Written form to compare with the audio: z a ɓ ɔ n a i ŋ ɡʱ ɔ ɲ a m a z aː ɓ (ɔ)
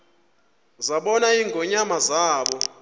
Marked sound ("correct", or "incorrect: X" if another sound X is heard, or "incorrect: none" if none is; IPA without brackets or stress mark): correct